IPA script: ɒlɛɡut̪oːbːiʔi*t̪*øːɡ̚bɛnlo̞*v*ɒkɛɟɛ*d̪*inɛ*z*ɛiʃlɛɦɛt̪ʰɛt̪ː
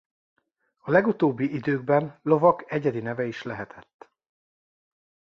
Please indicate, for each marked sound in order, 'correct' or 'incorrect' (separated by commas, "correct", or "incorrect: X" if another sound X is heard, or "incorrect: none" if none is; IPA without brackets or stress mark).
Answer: incorrect: d̪, correct, correct, incorrect: v